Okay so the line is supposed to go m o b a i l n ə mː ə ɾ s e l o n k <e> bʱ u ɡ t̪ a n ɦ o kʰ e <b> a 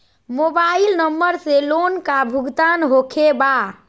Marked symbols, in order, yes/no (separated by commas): no, yes